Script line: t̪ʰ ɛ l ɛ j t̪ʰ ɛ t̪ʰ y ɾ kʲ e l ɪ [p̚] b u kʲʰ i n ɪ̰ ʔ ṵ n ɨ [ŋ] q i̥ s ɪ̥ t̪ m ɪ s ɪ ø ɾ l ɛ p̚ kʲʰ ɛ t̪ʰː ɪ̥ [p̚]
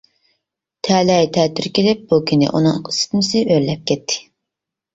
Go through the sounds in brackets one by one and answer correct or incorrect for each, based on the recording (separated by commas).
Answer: correct, correct, incorrect